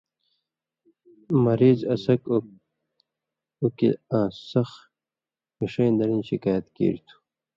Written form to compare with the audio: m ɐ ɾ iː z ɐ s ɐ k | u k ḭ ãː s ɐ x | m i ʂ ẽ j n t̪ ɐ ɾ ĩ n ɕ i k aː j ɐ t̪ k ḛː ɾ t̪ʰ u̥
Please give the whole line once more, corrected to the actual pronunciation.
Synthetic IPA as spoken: m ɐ ɾ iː z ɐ s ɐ k | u k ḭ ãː s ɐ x | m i ʂ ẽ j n d̪ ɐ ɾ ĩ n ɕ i k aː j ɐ t̪ k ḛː ɾ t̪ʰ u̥

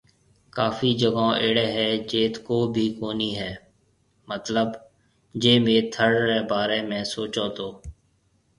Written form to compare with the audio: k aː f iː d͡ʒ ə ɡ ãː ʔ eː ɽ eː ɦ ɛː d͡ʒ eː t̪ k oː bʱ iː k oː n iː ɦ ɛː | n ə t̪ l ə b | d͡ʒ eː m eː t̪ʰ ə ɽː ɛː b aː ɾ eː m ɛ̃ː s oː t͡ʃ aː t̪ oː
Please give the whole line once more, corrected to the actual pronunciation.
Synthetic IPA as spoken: k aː f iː d͡ʒ ə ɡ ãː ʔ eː ɽ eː ɦ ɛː d͡ʒ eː t̪ k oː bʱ iː k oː n iː ɦ ɛː | m ə t̪ l ə b | d͡ʒ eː m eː t̪ʰ ə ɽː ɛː b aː ɾ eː m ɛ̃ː s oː t͡ʃ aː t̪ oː

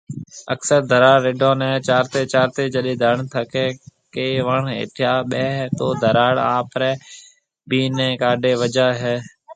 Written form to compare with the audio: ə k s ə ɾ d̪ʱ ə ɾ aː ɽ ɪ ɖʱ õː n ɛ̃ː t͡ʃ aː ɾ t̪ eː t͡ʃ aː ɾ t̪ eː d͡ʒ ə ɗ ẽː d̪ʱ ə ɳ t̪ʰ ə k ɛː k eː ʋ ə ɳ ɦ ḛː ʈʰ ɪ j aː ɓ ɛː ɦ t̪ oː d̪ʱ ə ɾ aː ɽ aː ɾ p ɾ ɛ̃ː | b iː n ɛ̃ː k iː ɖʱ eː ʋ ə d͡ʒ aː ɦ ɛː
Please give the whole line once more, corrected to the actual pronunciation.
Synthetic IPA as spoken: ə k s ə ɾ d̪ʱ ə ɾ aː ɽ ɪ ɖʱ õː n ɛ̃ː t͡ʃ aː ɾ t̪ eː t͡ʃ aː ɾ t̪ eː d͡ʒ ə ɗ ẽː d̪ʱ ə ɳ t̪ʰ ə k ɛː k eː ʋ ə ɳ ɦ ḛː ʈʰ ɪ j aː ɓ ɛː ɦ t̪ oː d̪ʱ ə ɾ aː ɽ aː p ɾ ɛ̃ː | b iː n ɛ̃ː k aː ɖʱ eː ʋ ə d͡ʒ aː ɦ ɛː

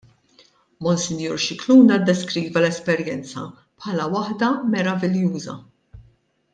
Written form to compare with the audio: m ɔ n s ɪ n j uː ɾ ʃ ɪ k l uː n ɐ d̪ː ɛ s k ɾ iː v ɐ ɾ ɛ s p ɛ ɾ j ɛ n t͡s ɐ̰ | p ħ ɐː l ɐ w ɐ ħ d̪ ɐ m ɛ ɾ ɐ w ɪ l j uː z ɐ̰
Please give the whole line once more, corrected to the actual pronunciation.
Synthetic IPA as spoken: m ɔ n s ɪ n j uː ɾ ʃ ɪ k l uː n ɐ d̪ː ɛ s k ɾ iː v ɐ l ɛ s p ɛ ɾ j ɛ n t͡s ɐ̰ | p ħ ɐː l ɐ w ɐ ħ d̪ ɐ m ɛ ɾ ɐ v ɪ l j uː z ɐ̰

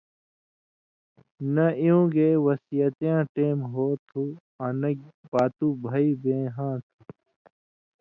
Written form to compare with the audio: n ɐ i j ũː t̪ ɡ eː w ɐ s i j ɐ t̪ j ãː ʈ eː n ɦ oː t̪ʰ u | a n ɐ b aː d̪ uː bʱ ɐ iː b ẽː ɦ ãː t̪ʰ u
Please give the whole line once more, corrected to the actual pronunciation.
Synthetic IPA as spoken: n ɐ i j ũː ɡ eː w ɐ s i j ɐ t̪ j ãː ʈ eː m ɦ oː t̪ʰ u | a n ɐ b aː t̪ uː bʱ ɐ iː b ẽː ɦ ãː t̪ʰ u

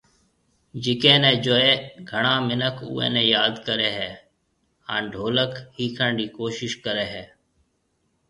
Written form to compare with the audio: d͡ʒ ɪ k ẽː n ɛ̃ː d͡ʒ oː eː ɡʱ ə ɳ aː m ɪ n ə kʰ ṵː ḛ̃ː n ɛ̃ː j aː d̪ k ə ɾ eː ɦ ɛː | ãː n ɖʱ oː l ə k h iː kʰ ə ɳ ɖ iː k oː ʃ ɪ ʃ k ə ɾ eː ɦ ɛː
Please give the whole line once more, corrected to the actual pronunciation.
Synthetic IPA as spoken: d͡ʒ ɪ k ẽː n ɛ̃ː d͡ʒ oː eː ɡʱ ə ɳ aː m ɪ n ə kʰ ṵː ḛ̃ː n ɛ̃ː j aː d̪ k ə ɾ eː ɦ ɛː | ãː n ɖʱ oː l ə k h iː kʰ ə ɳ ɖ iː k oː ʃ ɪ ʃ k ə ɾ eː ɦ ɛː

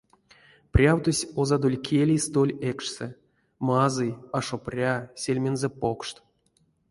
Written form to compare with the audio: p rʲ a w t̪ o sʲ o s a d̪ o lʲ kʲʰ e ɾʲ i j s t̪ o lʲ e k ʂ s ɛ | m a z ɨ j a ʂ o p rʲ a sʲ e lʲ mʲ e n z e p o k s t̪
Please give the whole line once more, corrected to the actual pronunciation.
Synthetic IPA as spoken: p rʲ a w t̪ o sʲ o z a d̪ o lʲ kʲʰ e lʲ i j s t̪ o lʲ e k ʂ s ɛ | m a z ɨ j a ʂ o p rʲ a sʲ e lʲ mʲ e n z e p o k ʂ t̪

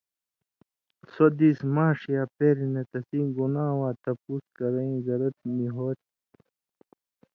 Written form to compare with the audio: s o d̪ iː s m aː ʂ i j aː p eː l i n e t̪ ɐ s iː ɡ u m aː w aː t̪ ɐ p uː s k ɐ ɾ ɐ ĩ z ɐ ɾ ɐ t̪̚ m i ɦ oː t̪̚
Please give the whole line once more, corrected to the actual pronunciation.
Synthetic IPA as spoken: s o d̪ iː s m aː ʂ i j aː p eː ɾ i n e t̪ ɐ s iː ɡ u n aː w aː t̪ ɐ p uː s k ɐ ɾ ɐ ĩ z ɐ ɾ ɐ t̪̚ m i ɦ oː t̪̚

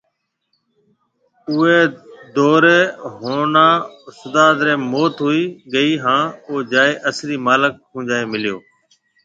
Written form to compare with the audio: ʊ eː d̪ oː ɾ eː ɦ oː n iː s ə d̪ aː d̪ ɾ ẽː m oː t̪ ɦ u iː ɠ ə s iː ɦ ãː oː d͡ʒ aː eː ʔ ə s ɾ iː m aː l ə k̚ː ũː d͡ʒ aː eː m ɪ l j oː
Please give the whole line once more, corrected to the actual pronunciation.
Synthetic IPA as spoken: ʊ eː d̪ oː ɾ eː ɦ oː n aː s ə d̪ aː d̪ ɾ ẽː m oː t̪ ɦ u iː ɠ ə iː ɦ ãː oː d͡ʒ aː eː ʔ ə s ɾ iː m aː l ə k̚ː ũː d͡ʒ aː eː m ɪ l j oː

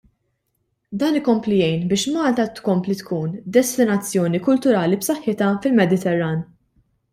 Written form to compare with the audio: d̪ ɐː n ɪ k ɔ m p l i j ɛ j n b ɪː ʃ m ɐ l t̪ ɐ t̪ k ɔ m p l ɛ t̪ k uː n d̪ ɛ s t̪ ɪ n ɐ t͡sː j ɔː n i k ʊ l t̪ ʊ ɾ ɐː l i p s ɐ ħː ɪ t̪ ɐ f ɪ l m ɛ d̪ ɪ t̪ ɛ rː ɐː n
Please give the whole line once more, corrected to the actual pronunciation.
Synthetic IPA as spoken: d̪ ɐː n ɪ k ɔ m p l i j ɛ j n b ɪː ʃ m ɐː l t̪ ɐ t̪ k ɔ m p l i t̪ k uː n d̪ ɛ s t̪ ɪ n ɐ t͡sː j ɔː n i k ʊ l t̪ ʊ ɾ ɐː l i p s ɐ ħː ɪ t̪ ɐ f ɪ l m ɛ d̪ ɪ t̪ ɛ rː ɐː n

